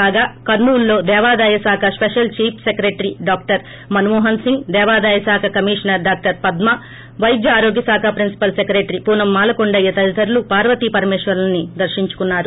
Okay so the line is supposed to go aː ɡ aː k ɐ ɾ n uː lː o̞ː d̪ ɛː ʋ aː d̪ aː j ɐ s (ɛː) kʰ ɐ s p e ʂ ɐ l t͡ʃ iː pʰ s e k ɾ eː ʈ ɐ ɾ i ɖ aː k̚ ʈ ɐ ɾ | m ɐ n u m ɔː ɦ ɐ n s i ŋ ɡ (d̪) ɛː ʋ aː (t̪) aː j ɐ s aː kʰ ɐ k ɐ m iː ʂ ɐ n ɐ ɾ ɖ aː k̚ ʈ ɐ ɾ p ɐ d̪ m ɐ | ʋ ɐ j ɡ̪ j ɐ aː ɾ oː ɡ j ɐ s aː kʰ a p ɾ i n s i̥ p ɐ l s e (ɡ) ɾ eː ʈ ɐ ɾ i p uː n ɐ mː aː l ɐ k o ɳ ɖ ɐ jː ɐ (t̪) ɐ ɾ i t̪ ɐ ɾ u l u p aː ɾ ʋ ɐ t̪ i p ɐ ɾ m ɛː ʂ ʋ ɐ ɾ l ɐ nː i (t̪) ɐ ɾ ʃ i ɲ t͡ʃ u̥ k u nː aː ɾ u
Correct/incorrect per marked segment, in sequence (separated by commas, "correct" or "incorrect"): incorrect, correct, incorrect, incorrect, correct, incorrect